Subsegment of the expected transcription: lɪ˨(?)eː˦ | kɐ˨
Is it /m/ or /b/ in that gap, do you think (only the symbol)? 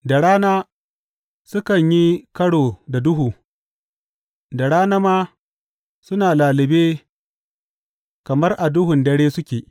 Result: b